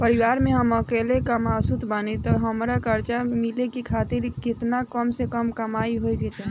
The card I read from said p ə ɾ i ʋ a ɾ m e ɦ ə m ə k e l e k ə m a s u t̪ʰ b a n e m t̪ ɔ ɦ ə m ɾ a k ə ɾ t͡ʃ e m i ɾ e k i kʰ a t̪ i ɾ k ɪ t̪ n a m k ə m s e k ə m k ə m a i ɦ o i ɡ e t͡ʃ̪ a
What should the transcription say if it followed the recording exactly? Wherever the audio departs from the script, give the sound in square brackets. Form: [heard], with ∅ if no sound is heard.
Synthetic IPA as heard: p ə ɾ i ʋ a ɾ m e ɦ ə m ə k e l e k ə m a s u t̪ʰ b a n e [∅] t̪ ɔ ɦ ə m ɾ a k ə ɾ t͡ʃ [a] m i [l] e k i kʰ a t̪ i ɾ k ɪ t̪ n a [∅] k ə m s e k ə m k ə m a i ɦ o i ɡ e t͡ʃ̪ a